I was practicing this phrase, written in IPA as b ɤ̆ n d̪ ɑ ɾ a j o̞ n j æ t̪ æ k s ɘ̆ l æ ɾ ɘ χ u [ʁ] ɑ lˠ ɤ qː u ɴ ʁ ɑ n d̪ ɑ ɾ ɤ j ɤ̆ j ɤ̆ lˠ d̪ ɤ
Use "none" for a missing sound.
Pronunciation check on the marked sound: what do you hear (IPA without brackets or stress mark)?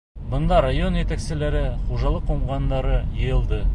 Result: ʒ